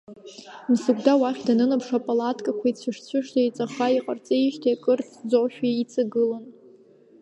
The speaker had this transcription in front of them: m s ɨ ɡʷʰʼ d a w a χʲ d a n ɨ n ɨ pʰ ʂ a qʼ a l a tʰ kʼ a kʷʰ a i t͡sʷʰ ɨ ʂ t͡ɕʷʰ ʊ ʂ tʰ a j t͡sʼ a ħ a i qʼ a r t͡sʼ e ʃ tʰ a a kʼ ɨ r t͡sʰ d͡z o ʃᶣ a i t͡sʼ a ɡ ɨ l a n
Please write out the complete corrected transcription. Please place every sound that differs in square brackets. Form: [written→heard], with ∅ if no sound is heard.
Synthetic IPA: m s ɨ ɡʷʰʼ d a w a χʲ d a n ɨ n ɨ pʰ ʂ a [qʼ→pʼ] a l a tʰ kʼ a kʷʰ a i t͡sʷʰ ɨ ʂ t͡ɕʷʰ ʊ ʂ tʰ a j t͡sʼ a [ħ→χ] a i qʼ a r t͡sʼ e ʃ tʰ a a kʼ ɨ r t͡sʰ d͡z o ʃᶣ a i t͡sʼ a ɡ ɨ l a n